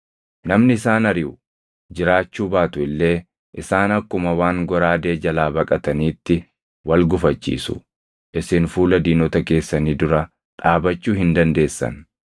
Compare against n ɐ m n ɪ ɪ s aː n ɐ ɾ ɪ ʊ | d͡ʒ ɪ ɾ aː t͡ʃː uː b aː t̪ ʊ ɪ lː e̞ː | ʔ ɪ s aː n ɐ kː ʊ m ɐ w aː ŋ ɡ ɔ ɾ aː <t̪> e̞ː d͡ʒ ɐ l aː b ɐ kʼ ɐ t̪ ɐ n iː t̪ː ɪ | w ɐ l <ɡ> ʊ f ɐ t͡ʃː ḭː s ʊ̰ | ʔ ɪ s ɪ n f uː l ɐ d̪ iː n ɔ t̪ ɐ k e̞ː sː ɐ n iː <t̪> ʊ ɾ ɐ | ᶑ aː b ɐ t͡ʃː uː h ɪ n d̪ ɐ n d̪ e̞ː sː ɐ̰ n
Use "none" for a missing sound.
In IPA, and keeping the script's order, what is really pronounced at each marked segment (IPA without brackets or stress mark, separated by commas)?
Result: d̪, ɡ, d̪